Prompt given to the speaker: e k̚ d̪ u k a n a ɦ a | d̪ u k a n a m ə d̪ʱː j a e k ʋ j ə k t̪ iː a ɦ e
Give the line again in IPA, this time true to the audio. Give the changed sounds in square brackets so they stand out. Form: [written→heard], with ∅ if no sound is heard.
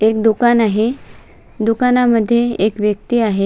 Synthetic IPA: e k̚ d̪ u k a n a ɦ [a→e] | d̪ u k a n a m ə d̪ʱː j [a→e] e k ʋ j ə k t̪ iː a ɦ e